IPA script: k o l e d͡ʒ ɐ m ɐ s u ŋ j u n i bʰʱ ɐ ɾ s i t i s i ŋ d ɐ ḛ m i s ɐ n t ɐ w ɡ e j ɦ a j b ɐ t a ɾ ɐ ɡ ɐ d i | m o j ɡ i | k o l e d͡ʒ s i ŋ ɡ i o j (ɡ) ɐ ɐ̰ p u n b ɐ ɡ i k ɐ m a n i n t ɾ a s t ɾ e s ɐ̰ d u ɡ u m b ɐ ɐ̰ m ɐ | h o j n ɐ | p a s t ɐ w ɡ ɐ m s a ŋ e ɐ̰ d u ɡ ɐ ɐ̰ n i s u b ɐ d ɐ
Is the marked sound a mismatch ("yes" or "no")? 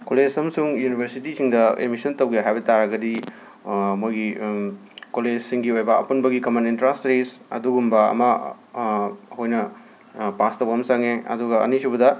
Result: yes